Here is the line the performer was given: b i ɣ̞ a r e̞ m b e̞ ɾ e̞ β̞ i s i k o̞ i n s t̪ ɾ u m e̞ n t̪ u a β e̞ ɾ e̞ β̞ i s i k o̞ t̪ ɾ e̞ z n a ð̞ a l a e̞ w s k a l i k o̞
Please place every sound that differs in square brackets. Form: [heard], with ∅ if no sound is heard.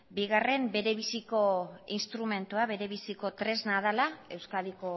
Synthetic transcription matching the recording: b i ɣ̞ a r e̞ m b e̞ ɾ e̞ β̞ i s i k o̞ i n s t̪ ɾ u m e̞ n t̪ u a β e̞ ɾ e̞ β̞ i s i k o̞ t̪ ɾ e̞ z n a ð̞ a l a e̞ w s k a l i k o̞